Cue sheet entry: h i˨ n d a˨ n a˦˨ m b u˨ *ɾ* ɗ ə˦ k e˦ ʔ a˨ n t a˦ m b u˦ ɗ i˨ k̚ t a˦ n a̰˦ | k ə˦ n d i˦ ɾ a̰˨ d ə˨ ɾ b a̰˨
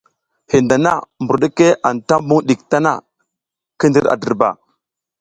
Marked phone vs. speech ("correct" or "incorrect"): correct